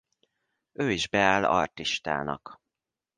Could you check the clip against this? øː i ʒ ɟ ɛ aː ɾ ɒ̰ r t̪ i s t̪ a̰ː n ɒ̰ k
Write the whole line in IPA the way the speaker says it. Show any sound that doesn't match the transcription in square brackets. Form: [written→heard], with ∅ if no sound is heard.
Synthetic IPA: øː i ʒ [ɟ→b] ɛ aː [ɾ→l] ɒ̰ r t̪ i [s→ʃ] t̪ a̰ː n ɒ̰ k